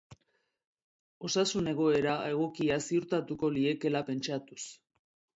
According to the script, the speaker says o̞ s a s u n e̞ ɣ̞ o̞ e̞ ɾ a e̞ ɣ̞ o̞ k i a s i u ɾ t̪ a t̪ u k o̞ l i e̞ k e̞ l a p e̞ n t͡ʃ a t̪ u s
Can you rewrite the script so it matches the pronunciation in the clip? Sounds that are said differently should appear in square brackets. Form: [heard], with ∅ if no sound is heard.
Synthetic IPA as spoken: o̞ s a s u n e̞ ɣ̞ o̞ e̞ ɾ a e̞ ɣ̞ o̞ k i a s i u ɾ t̪ a t̪ u k o̞ l i e̞ k e̞ l a p e̞ n t͡ʃ a t̪ u s